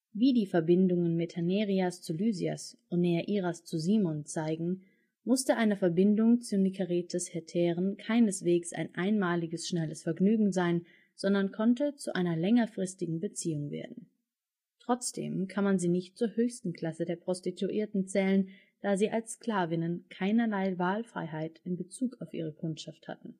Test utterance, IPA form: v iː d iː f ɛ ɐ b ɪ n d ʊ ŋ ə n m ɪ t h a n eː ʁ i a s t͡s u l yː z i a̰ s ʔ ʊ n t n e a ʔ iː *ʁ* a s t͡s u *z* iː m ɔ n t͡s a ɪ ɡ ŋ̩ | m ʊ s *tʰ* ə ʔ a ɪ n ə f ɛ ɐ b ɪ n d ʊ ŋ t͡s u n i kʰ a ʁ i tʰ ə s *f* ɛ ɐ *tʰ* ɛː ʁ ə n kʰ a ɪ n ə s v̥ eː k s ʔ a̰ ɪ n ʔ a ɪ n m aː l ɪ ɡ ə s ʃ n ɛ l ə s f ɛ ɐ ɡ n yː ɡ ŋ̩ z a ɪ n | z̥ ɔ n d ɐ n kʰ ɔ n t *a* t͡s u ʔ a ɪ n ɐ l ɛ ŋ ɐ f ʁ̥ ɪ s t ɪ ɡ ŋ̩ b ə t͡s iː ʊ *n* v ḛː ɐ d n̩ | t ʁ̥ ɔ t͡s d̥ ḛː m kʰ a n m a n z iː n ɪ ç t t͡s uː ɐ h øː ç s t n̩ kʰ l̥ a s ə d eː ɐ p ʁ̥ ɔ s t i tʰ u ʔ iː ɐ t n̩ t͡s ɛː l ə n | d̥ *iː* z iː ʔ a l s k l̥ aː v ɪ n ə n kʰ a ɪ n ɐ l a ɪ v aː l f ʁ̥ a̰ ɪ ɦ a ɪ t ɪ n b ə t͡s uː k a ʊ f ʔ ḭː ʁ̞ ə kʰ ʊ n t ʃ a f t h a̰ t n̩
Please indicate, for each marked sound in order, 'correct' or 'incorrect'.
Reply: correct, correct, incorrect: t, incorrect: h, correct, incorrect: ə, incorrect: ŋ, incorrect: aː

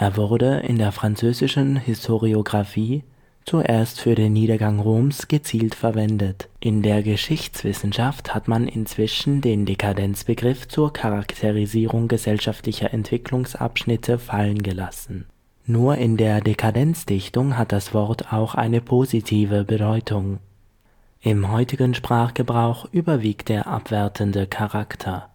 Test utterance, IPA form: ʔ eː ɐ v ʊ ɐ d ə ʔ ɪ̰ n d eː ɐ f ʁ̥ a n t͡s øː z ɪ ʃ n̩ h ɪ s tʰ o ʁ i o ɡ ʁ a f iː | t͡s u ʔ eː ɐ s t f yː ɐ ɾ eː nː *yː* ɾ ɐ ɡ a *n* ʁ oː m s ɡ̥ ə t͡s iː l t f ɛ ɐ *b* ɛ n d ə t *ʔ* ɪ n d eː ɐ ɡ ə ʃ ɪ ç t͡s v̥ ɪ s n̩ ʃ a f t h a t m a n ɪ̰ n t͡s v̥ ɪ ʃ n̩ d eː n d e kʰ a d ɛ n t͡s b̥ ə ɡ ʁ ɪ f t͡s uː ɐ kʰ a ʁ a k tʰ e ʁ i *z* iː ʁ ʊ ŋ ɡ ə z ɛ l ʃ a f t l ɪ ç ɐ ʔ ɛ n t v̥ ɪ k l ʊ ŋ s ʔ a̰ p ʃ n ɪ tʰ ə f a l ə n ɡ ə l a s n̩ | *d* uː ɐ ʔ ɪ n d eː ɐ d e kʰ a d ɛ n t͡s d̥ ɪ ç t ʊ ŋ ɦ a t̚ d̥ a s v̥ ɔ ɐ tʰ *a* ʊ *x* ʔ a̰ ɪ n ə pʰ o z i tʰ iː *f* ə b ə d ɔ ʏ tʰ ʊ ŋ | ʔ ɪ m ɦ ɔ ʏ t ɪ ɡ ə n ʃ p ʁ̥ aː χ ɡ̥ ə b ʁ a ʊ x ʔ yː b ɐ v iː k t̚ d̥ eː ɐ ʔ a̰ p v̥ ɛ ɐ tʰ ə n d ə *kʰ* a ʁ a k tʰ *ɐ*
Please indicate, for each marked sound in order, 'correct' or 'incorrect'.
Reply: incorrect: iː, incorrect: ŋ, incorrect: v, correct, correct, incorrect: n, correct, correct, incorrect: v, correct, correct

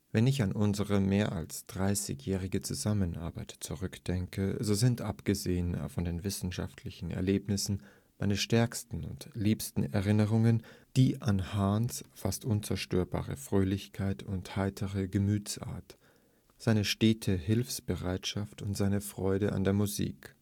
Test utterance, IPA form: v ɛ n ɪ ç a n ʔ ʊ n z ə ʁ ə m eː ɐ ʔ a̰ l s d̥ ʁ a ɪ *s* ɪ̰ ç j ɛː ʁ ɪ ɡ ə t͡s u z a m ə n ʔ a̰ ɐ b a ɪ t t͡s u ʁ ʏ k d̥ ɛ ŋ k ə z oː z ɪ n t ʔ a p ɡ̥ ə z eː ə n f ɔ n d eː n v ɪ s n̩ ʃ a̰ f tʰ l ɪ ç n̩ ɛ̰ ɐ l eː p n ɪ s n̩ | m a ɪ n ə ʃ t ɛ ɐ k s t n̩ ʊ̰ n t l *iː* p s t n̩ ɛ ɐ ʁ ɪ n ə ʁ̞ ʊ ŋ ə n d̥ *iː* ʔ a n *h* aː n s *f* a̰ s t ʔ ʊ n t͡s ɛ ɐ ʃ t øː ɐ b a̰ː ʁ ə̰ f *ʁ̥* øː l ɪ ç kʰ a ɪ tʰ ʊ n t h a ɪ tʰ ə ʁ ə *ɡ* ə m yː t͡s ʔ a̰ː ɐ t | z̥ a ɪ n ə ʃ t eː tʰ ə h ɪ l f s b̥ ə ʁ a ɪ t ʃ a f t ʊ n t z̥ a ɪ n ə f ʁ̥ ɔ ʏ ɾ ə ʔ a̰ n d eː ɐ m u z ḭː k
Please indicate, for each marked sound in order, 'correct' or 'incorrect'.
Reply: correct, correct, correct, correct, correct, correct, correct

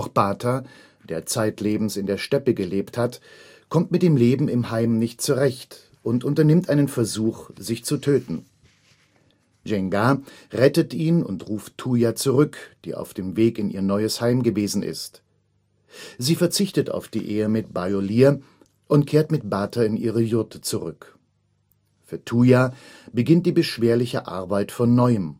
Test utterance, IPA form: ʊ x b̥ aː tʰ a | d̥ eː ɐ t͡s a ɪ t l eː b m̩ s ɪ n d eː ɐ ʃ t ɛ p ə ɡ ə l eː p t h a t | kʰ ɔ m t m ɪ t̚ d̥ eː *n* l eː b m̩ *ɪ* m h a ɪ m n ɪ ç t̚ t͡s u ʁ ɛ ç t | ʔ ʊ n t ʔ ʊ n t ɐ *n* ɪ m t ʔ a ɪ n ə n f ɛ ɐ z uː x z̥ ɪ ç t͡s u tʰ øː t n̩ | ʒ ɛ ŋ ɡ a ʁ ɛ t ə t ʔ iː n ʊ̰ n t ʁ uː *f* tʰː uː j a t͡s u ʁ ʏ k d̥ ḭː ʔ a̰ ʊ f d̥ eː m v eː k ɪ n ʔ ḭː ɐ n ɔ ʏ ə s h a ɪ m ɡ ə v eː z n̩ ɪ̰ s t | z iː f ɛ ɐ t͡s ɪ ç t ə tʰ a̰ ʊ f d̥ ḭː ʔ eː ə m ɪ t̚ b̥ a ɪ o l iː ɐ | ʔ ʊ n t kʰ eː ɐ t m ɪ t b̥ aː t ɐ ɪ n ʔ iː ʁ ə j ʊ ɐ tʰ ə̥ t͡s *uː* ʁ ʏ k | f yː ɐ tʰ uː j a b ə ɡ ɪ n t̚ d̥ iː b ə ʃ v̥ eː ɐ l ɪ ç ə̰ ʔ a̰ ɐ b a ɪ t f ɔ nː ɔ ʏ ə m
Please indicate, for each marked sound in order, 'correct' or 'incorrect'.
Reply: incorrect: m, correct, correct, correct, incorrect: u

